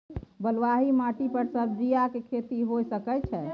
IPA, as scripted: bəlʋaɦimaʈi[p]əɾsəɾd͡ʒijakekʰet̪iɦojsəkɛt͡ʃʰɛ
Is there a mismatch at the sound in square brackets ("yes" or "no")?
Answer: no